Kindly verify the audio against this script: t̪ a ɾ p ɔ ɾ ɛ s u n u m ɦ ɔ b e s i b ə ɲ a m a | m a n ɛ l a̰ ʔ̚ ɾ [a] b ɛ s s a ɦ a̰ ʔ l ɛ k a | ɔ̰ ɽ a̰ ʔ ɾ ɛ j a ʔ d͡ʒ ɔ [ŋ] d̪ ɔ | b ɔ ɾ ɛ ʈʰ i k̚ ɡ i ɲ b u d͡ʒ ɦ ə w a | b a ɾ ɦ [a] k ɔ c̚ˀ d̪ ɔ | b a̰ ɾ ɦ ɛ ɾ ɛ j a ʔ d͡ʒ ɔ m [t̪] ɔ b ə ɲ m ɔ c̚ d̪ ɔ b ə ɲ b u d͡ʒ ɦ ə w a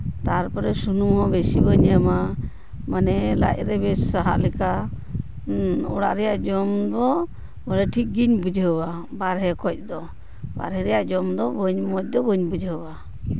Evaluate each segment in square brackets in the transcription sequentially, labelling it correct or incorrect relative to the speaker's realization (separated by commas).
incorrect, incorrect, incorrect, incorrect